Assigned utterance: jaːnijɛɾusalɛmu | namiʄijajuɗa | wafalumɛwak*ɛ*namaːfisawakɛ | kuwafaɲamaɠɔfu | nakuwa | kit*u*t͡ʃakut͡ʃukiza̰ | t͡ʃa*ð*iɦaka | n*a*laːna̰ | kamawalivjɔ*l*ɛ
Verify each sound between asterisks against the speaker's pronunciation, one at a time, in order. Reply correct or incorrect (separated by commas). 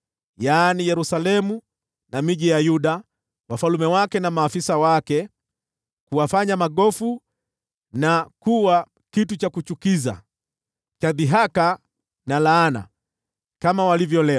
correct, correct, correct, correct, correct